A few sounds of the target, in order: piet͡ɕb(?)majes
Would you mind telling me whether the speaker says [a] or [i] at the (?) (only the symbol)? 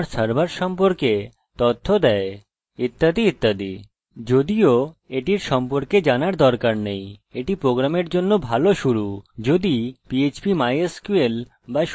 i